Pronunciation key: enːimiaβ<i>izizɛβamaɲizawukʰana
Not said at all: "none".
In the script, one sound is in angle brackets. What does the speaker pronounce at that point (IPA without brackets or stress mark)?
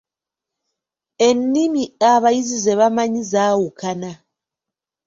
a